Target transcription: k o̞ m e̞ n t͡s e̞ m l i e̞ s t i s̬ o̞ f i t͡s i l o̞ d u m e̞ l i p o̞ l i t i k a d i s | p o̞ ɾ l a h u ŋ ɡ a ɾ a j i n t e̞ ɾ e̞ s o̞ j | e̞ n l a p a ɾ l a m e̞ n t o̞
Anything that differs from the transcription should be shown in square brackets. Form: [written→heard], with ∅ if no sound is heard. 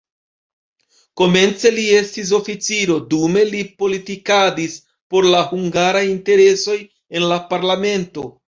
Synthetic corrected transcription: k o̞ m e̞ n t͡s e̞ [m→∅] l i e̞ s t i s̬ o̞ f i t͡s i [l→ɾ] o̞ d u m e̞ l i p o̞ l i t i k a d i s | p o̞ ɾ l a h u ŋ ɡ a ɾ a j i n t e̞ ɾ e̞ s o̞ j | e̞ n l a p a ɾ l a m e̞ n t o̞